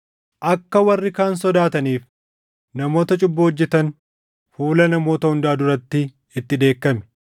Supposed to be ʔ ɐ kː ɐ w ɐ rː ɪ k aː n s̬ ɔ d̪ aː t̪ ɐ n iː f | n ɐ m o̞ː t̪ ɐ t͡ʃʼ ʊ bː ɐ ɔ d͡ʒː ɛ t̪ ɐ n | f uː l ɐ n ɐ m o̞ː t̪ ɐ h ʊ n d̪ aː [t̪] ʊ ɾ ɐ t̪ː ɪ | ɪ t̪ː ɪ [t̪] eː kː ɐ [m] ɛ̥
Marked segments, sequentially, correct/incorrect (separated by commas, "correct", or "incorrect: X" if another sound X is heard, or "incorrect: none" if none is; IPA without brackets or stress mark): incorrect: d̪, incorrect: d̪, correct